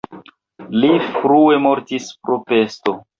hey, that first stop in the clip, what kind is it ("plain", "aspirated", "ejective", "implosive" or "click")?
plain